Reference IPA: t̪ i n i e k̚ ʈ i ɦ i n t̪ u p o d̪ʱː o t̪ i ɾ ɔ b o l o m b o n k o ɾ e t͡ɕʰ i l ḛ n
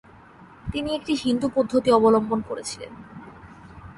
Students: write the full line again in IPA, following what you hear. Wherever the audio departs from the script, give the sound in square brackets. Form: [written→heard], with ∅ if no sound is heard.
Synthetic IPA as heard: t̪ i n i e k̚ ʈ i ɦ i n [t̪→d̪] u p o d̪ʱː o t̪ i [ɾ→∅] ɔ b o l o m b o n k o ɾ e t͡ɕʰ i l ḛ n